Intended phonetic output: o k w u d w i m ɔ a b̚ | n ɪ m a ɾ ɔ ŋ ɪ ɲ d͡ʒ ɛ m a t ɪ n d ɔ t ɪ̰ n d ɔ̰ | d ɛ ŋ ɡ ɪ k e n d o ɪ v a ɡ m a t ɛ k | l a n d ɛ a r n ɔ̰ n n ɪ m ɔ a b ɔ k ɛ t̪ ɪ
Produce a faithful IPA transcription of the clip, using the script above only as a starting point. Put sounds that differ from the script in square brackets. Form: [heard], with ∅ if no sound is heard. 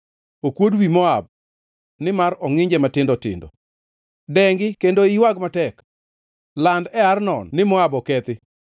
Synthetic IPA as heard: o k w [o] d w i m ɔ a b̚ | n ɪ m a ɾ ɔ ŋ ɪ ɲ d͡ʒ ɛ m a t ɪ n d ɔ t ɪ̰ n d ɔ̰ | d ɛ ŋ ɡ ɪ k e n d o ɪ [w] a ɡ m a t ɛ k | l a n d ɛ a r n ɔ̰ n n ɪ m ɔ a b ɔ k ɛ t̪ ɪ

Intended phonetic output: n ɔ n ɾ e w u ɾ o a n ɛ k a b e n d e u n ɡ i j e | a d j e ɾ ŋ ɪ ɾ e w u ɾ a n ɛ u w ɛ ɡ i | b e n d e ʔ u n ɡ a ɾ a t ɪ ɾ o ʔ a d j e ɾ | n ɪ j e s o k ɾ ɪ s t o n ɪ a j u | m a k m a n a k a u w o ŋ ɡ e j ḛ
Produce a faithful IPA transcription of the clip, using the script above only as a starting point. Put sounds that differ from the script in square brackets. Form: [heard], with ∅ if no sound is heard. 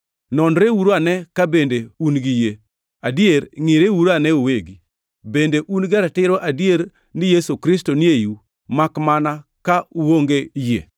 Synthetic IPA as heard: n ɔ n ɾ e w u ɾ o a n ɛ k a b e n d e u n ɡ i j e | a d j e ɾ ŋ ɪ ɾ e w u ɾ a n ɛ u w [e] ɡ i | b e n d e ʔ u n ɡ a ɾ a t ɪ ɾ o ʔ a d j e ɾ | n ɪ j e s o k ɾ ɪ s t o n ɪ [e] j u | m a k m a n a k a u w o ŋ ɡ e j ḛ

